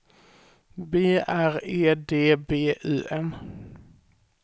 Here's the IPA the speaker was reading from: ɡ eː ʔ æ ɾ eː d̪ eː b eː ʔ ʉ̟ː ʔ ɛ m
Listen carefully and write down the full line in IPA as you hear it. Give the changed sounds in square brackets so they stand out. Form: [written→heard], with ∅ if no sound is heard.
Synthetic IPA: [ɡ→b] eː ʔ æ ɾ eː d̪ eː b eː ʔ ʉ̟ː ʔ ɛ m